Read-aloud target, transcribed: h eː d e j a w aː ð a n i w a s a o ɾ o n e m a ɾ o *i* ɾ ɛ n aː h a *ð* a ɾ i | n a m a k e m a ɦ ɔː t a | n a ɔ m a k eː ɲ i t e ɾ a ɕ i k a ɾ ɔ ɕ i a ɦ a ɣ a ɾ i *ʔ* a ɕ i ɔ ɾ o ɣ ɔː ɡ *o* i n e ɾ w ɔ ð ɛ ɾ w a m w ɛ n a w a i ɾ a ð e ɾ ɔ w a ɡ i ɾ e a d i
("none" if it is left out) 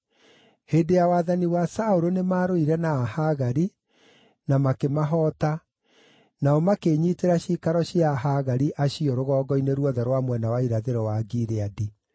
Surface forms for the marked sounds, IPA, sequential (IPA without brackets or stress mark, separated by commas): i, ɣ, ʔ, ɔ